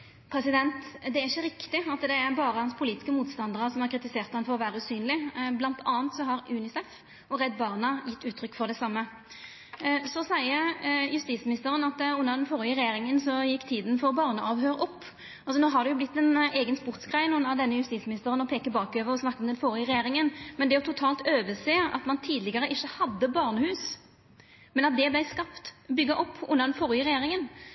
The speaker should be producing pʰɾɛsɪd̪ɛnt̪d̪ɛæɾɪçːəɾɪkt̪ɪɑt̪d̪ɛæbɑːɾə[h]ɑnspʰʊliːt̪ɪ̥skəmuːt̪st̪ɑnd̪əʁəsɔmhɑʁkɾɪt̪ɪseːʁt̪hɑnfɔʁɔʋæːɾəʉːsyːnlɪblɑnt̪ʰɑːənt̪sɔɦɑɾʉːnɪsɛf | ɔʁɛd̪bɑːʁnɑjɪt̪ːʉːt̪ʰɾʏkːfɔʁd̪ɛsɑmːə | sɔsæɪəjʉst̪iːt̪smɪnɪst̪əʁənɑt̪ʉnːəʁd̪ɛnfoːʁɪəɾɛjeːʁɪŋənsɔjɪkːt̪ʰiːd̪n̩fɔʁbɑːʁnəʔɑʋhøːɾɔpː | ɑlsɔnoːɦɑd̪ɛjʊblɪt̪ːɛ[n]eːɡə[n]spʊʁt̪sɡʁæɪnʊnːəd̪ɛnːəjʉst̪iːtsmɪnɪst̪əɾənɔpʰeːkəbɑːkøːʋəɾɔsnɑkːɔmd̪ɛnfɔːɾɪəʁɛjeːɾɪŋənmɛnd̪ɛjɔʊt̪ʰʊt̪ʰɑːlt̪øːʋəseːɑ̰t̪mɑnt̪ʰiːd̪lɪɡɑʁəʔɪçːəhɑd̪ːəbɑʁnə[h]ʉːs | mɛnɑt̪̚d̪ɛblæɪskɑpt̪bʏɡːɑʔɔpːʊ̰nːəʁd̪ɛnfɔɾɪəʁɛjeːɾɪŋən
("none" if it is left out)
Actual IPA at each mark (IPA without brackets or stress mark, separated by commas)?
h, n, n, h